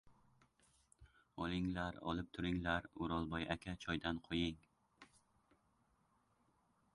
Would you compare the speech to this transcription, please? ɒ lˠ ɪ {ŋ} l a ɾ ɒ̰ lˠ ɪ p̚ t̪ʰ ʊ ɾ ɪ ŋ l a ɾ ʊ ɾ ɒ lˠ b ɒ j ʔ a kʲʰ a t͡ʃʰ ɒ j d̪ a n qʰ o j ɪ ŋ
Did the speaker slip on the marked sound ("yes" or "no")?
no